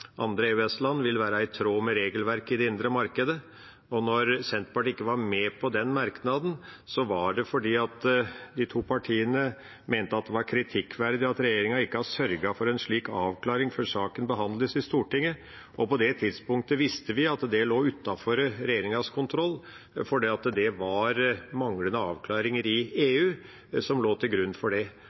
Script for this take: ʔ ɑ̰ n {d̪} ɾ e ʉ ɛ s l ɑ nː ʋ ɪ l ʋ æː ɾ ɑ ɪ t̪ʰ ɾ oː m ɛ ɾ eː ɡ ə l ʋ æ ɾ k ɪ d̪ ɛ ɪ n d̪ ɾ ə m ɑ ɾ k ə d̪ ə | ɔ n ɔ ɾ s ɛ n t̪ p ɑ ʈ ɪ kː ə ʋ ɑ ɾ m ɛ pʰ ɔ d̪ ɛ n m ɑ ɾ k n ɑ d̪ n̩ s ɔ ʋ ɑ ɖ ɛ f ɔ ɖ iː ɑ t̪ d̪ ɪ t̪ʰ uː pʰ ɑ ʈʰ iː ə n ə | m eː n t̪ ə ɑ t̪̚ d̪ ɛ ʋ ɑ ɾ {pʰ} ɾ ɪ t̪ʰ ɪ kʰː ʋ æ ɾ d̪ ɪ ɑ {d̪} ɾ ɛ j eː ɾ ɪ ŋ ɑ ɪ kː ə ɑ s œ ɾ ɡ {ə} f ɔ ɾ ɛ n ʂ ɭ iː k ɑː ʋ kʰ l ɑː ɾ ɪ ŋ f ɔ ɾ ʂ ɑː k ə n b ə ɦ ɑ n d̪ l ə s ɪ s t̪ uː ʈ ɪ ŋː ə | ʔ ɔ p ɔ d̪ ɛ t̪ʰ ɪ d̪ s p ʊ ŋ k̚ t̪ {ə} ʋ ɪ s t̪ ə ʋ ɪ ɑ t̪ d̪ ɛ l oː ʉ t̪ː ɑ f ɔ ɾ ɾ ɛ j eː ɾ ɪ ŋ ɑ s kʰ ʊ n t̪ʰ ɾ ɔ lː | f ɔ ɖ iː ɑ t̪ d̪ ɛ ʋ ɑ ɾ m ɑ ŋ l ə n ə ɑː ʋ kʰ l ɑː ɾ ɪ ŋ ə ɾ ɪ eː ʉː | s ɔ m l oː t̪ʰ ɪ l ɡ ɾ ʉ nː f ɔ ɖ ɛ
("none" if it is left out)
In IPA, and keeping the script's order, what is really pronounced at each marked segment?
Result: d̪, kʰ, t̪, ɑ, ə

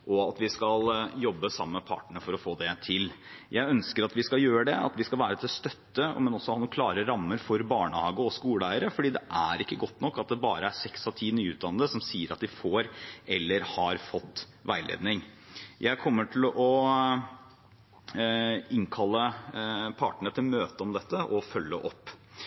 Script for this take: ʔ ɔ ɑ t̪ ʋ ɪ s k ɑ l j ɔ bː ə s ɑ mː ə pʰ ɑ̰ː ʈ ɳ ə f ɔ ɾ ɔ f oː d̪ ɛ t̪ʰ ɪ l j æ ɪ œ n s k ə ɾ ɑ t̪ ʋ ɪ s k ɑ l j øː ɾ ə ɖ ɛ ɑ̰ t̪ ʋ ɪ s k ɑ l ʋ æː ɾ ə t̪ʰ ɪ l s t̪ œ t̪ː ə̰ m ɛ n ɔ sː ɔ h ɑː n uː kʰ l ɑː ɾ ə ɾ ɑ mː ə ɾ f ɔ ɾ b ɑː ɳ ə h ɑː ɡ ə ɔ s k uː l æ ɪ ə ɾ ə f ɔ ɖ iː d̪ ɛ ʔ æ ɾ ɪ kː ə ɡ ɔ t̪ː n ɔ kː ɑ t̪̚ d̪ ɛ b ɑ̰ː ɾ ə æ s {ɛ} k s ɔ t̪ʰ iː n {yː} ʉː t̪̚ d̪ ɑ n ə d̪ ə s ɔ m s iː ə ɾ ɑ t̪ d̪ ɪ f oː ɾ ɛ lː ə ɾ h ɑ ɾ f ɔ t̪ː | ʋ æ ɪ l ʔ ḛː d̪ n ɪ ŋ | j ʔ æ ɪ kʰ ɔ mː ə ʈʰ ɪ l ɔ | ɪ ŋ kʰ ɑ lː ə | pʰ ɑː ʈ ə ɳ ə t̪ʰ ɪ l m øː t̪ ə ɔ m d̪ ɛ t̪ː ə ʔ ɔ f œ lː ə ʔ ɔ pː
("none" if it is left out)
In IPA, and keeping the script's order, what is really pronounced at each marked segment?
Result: ɛ, yː

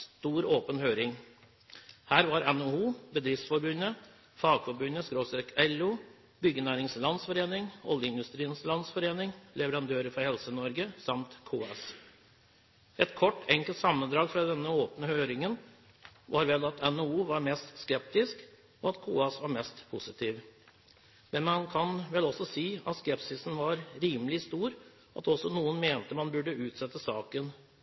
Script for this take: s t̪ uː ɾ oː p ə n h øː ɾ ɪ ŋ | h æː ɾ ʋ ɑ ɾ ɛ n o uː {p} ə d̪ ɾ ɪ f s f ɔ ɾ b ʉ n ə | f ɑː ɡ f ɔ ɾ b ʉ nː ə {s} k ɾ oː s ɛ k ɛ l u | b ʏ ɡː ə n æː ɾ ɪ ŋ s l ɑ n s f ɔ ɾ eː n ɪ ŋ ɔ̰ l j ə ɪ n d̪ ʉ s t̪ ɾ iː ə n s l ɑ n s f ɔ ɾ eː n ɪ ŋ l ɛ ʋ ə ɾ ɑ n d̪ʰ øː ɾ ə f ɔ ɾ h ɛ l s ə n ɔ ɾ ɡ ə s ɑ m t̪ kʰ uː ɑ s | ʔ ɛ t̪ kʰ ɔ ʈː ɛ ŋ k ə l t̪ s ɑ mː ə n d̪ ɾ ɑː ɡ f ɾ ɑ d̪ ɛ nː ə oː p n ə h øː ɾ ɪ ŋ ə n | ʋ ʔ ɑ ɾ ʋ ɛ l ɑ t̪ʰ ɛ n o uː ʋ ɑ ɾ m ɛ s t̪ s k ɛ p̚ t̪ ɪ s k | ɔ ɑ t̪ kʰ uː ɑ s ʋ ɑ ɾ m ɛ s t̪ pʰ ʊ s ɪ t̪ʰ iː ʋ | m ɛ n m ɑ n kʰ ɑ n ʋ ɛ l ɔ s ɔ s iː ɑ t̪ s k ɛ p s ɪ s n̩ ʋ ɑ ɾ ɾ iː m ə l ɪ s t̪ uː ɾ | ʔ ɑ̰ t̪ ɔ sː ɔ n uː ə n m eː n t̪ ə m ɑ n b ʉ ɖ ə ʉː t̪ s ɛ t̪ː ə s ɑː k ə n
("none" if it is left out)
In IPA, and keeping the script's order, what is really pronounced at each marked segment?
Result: b, s

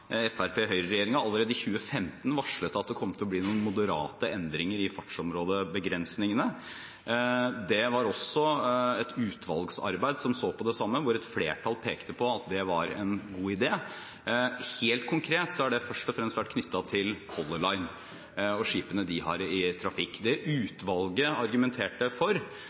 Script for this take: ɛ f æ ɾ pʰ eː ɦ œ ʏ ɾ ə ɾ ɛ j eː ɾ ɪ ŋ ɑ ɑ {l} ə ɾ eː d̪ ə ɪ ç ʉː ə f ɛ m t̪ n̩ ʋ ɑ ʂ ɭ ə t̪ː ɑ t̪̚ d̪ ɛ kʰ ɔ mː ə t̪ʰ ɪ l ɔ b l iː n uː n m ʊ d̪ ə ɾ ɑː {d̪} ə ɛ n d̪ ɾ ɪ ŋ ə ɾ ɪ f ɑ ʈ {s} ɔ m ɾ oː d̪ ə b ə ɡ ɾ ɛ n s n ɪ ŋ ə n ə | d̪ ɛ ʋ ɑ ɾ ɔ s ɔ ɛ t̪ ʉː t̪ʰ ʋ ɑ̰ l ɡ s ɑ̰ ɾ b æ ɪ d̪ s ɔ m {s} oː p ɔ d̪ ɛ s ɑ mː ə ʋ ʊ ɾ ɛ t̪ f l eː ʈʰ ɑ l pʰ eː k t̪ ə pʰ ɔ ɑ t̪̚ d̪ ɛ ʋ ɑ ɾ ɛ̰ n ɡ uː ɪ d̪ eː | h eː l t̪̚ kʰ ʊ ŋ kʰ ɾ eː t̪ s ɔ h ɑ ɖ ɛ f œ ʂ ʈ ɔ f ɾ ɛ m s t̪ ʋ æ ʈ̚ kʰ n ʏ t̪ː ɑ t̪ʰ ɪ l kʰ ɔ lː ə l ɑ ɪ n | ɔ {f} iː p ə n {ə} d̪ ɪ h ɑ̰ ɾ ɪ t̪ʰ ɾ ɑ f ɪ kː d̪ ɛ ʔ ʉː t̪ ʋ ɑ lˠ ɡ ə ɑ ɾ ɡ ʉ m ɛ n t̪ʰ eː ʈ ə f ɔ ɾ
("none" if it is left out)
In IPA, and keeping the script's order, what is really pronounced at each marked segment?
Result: lː, t̪, ʂ, s, ʂ, ə

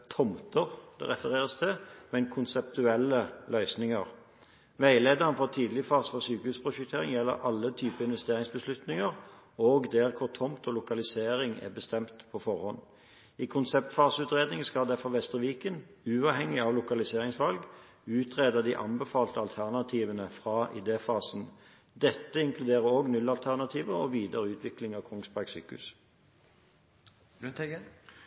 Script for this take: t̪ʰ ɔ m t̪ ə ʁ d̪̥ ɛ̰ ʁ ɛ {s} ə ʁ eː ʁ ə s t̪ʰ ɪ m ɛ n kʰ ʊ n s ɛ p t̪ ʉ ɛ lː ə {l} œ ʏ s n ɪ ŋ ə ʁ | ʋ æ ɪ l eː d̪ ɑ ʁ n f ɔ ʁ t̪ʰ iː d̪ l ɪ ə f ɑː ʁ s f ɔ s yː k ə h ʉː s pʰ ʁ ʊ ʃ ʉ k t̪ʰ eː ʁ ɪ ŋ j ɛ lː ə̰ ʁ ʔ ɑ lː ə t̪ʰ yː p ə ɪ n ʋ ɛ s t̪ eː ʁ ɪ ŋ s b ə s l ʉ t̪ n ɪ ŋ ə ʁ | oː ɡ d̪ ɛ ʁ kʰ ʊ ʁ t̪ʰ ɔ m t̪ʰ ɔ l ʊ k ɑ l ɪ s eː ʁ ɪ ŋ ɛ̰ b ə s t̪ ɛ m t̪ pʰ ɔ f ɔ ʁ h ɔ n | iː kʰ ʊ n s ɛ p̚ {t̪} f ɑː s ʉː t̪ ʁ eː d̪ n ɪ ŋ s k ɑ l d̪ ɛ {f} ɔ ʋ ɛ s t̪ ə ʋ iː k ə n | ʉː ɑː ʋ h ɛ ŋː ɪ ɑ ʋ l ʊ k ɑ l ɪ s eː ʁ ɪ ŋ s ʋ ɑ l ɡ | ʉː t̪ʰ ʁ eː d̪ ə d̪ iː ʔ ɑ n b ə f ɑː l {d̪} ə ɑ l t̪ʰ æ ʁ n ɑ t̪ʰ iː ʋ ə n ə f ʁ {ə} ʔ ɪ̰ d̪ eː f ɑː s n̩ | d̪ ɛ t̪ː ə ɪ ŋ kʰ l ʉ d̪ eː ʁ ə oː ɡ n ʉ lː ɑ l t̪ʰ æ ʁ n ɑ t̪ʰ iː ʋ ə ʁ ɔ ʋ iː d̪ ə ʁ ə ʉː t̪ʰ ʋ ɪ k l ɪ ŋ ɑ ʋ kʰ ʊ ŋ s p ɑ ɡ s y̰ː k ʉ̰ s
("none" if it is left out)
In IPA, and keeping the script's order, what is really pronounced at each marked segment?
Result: f, l, t̪, f, t̪, ɑ

